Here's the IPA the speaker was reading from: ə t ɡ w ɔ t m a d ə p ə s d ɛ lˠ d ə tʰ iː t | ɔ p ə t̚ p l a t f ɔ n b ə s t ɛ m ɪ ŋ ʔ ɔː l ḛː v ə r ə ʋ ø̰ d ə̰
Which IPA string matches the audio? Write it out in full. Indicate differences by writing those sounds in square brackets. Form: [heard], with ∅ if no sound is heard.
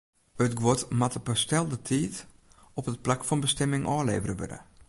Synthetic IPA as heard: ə t ɡ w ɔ t m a [t] ə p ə s [t] ɛ lˠ d ə tʰ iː t | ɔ p ə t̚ p l a [k] f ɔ n b ə s t ɛ m ɪ ŋ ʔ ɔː l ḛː v ə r ə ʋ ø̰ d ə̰